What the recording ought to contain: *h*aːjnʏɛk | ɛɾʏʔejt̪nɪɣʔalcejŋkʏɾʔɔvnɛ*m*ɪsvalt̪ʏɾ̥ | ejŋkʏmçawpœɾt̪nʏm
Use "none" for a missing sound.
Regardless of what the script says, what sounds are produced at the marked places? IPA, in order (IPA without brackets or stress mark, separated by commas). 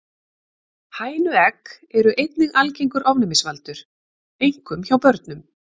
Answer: h, m